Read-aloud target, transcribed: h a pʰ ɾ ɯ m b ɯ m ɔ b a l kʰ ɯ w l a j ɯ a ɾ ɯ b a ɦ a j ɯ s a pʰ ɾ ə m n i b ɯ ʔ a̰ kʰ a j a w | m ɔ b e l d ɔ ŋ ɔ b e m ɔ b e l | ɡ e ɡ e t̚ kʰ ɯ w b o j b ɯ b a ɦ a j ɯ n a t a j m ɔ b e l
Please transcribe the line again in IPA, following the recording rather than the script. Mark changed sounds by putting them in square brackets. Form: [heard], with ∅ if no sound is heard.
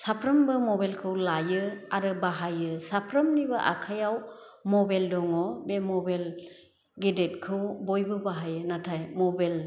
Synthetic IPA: [s] a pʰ ɾ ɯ m b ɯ m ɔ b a l kʰ ɯ w l a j ɯ a ɾ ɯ b a ɦ a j ɯ s a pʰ ɾ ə m n i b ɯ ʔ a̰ kʰ a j a w | m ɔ b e l d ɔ ŋ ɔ b e m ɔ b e l | ɡ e [d] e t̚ kʰ ɯ w b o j b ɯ b a ɦ a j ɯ n a [tʰ] a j m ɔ b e l